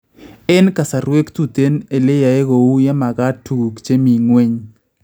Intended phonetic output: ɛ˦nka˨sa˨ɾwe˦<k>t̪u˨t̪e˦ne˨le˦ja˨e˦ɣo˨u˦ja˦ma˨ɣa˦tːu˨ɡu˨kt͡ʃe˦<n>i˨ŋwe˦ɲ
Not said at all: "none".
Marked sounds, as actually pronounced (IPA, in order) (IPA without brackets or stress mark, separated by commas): k, m